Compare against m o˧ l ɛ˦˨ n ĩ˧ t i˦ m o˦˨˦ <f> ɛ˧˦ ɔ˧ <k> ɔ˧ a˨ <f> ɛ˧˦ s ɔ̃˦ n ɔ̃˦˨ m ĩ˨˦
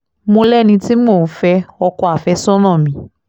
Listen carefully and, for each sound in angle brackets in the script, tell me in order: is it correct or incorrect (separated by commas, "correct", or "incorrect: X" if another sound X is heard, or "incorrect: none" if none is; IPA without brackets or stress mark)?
correct, correct, correct